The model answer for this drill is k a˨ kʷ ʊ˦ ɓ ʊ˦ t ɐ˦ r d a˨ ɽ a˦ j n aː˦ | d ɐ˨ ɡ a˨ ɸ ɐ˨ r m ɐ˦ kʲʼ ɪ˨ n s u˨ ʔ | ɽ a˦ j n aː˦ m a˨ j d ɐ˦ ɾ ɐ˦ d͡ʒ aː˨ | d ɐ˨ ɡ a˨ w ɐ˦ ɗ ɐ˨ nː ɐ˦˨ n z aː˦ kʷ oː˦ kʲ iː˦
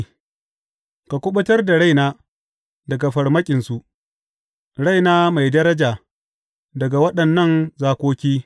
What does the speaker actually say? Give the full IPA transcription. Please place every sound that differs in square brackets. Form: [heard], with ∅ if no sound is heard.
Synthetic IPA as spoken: k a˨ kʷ ʊ˦ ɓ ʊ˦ t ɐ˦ r d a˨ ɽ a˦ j n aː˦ | d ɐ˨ ɡ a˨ ɸ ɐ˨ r m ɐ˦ kʲʼ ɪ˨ n s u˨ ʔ | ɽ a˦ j n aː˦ m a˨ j d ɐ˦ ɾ ɐ˦ d͡ʒ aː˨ | d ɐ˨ ɡ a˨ w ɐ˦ ɗ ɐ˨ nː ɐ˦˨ n z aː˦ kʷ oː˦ kʲ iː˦